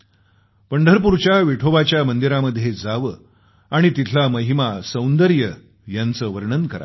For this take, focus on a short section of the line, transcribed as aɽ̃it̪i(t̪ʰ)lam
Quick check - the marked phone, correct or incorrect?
correct